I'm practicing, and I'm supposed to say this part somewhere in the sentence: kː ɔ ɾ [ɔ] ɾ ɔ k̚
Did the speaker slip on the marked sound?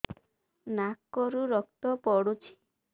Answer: yes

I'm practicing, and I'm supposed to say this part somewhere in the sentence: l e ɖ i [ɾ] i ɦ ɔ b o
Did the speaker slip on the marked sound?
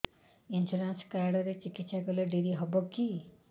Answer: no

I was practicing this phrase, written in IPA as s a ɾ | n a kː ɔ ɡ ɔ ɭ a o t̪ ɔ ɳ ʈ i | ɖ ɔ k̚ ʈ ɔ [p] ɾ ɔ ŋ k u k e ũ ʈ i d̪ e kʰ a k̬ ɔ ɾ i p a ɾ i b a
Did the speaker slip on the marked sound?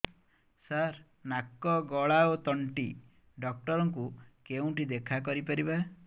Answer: yes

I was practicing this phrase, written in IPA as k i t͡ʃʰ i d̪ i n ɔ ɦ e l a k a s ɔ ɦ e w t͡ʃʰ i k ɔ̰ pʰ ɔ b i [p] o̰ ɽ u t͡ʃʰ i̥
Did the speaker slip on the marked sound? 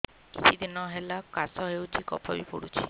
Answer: no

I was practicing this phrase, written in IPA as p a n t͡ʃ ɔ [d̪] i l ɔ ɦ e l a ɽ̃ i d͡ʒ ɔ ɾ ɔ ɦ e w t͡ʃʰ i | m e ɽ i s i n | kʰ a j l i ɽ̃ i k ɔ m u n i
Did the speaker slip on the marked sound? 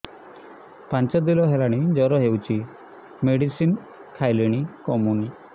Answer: no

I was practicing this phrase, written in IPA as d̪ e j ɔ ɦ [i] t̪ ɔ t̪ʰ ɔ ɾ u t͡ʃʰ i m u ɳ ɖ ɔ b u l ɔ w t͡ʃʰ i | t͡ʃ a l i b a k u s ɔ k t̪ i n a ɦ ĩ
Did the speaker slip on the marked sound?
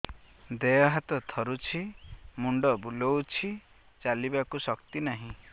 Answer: yes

